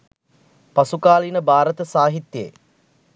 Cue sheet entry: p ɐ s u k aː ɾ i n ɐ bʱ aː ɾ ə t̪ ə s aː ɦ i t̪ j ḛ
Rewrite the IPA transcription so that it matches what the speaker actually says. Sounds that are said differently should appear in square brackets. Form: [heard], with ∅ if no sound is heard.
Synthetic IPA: p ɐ s u k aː [l] i n [ə] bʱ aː ɾ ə t̪ ə s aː ɦ i t̪ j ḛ